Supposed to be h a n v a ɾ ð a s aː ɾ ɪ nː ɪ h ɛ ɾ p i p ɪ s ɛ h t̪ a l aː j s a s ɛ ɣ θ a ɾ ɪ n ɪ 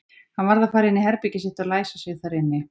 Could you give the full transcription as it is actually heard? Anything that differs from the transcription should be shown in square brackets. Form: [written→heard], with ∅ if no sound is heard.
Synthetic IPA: h a n v a ɾ ð a [s→f] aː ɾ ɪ nː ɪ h ɛ ɾ p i [p→c] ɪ s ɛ h t̪ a l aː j s a s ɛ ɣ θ a ɾ ɪ [n→nː] ɪ